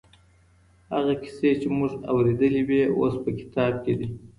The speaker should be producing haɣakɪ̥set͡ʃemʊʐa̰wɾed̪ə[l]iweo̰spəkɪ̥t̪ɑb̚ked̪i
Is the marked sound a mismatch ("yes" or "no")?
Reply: no